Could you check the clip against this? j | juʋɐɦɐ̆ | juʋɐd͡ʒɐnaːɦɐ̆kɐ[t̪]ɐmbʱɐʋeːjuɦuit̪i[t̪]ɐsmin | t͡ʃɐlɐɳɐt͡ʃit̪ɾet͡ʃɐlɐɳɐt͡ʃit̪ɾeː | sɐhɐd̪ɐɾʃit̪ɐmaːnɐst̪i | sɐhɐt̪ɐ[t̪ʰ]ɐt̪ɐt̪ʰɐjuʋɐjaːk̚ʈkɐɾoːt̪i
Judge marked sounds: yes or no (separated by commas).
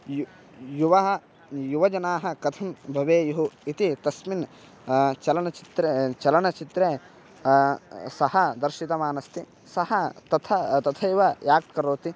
no, yes, yes